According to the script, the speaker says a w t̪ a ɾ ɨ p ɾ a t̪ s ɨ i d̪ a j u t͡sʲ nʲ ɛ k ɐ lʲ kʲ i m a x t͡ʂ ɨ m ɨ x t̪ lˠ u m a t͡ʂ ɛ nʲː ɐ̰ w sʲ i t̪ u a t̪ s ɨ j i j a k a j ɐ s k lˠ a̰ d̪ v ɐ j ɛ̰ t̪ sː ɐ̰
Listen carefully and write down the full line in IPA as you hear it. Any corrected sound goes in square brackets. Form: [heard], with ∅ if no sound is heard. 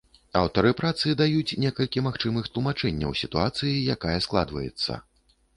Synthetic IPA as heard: a w t̪ [ɐ] ɾ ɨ p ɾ a t̪ s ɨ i d̪ a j u t͡sʲ nʲ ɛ k ɐ lʲ kʲ i m a x t͡ʂ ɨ m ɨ x t̪ lˠ u m a t͡ʂ ɛ nʲː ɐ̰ w sʲ i t̪ u a t̪ s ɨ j i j a k a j ɐ s k lˠ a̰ d̪ v ɐ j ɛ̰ t̪ sː ɐ̰